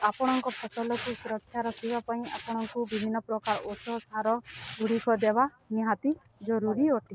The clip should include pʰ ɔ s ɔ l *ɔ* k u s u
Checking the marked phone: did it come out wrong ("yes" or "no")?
no